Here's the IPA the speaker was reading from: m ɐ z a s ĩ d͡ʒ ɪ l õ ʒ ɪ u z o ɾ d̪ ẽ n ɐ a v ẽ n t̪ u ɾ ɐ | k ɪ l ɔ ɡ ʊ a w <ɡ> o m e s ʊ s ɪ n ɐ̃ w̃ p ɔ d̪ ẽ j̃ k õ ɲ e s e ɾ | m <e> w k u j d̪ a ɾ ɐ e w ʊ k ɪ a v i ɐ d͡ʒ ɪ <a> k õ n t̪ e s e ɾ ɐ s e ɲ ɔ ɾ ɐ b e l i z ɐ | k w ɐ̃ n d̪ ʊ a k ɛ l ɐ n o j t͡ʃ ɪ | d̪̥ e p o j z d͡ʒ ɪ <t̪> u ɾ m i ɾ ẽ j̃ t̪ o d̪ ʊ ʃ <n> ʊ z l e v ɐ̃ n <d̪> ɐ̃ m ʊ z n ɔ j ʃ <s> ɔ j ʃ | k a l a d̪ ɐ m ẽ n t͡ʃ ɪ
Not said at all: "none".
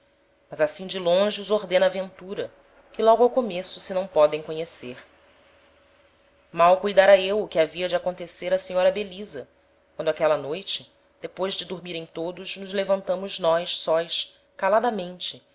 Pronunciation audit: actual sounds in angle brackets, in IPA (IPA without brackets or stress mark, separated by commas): k, a, a, d̪, n, t̪, s